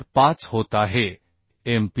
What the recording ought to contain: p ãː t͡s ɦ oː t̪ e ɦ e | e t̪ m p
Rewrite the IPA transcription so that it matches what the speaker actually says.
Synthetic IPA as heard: p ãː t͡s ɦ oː t̪ a ɦ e | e m p